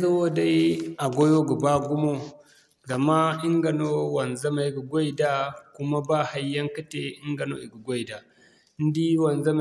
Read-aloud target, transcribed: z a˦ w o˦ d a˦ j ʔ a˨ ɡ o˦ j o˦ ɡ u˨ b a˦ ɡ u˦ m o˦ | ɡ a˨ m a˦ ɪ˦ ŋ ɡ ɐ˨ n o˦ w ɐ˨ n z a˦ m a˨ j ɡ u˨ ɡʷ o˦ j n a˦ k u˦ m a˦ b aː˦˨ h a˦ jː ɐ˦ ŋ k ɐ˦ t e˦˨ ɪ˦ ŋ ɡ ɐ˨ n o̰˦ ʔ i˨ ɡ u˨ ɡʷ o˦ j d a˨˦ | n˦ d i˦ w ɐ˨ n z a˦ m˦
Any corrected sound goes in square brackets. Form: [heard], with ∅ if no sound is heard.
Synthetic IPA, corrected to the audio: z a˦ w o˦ d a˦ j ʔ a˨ ɡ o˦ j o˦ ɡ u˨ b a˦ ɡ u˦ m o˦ | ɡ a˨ m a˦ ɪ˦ ŋ ɡ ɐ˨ n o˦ w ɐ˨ n z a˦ m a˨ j ɡ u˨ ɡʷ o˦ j [d] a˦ k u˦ m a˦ b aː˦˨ h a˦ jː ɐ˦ ŋ k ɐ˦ t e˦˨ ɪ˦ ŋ ɡ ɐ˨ n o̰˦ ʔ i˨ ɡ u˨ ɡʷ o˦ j d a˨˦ | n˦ d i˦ w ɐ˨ n z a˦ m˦